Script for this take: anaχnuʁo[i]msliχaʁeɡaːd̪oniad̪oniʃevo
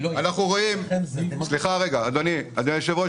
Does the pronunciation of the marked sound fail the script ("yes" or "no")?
no